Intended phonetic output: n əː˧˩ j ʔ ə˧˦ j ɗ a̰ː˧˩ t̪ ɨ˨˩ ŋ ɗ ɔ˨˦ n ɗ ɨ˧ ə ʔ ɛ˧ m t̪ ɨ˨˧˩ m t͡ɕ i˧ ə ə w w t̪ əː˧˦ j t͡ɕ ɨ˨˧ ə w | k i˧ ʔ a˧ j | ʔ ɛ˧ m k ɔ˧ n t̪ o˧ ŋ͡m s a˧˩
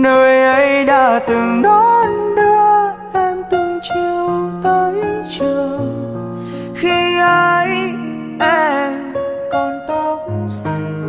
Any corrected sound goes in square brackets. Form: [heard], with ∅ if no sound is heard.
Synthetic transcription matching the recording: n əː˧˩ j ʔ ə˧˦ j ɗ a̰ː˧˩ t̪ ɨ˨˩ ŋ ɗ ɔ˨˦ n ɗ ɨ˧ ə ʔ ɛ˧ m t̪ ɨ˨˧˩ [ŋ] t͡ɕ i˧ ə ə w w t̪ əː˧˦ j t͡ɕ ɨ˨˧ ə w | [x] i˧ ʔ [ə˧] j | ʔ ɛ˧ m k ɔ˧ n t̪ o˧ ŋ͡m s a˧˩